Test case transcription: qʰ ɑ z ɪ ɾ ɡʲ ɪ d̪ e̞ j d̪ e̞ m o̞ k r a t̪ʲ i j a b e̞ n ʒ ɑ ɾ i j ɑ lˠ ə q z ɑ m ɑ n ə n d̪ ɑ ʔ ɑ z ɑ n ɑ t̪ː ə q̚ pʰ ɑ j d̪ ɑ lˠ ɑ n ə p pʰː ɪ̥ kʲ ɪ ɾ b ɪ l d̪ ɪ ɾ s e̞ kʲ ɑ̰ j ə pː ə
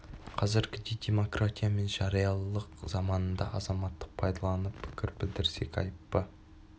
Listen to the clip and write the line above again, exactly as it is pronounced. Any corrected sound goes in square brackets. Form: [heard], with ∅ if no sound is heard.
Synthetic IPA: qʰ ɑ z ɪ ɾ ɡʲ ɪ d̪ e̞ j d̪ e̞ m o̞ k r a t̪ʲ i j a [m] e̞ n ʒ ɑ ɾ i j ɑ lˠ ə q z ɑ m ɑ n ə n d̪ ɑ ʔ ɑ z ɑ [m] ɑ t̪ː ə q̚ pʰ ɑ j d̪ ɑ lˠ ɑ n ə p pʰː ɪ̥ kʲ ɪ ɾ b ɪ l d̪ ɪ ɾ s e̞ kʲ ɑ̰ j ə pː ə